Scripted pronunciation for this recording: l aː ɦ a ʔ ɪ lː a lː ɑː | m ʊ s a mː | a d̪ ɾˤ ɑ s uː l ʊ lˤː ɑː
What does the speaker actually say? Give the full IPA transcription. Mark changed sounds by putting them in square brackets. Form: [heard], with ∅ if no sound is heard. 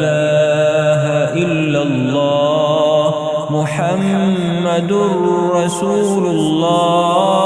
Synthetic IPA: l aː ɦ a ʔ ɪ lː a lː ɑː | m ʊ [ħ] a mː | a d̪ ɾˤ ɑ s uː l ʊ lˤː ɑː